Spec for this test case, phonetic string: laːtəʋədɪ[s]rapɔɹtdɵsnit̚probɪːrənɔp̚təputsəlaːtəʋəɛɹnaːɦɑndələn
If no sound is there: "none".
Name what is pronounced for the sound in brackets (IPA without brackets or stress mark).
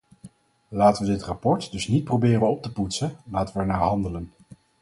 t